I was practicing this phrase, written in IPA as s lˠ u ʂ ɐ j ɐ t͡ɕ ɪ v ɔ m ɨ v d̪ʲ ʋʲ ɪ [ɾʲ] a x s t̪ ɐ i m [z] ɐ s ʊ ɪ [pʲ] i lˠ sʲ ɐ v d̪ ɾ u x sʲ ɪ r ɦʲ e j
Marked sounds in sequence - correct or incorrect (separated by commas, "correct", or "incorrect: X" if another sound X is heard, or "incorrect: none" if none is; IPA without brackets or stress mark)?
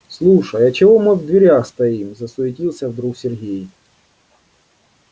correct, correct, incorrect: tʲ